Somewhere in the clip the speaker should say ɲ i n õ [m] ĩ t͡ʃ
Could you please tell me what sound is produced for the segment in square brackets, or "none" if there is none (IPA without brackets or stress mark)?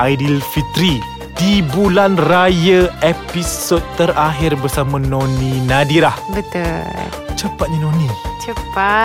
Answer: n